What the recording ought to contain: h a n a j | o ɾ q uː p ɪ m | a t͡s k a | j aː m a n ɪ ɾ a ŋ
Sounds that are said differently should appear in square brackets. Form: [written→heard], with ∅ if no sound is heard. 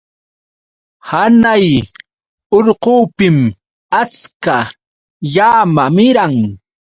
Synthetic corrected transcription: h a n a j | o ɾ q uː p ɪ m | a t͡s k a | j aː m a [n→m] ɪ ɾ a ŋ

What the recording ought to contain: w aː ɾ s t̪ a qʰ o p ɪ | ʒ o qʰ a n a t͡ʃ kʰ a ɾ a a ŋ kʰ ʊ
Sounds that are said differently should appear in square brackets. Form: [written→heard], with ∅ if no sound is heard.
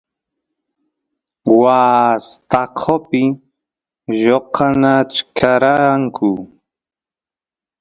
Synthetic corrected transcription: w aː [ɾ→∅] s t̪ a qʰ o p ɪ | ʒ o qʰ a n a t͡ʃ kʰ a ɾ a a ŋ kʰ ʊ

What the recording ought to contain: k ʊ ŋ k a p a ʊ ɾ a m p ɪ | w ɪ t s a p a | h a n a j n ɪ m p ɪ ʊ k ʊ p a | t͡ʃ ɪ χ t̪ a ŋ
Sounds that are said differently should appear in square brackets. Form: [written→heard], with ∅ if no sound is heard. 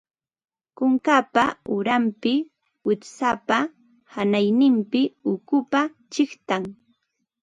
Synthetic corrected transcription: k ʊ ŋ k a p a ʊ ɾ a m p ɪ | w ɪ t s a p a | h a n a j n ɪ m p ɪ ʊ k ʊ p a | t͡ʃ ɪ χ t̪ a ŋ

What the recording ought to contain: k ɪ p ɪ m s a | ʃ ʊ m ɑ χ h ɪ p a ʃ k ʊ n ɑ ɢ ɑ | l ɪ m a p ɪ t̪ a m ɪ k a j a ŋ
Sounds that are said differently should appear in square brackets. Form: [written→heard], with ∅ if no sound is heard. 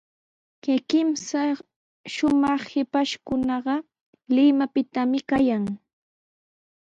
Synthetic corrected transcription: k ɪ [p→k] ɪ m s a | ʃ ʊ m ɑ χ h ɪ p a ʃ k ʊ n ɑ ɢ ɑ | l ɪ m a p ɪ t̪ a m ɪ k a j a ŋ

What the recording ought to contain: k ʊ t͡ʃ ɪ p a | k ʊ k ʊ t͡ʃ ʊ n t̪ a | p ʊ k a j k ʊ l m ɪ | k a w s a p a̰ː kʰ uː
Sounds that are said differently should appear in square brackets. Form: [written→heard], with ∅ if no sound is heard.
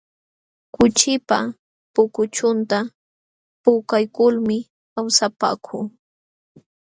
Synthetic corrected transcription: k ʊ t͡ʃ ɪ p a | [k→p] ʊ k ʊ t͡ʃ ʊ n t̪ a | p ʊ k a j k ʊ l m ɪ | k a w s a p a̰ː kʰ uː

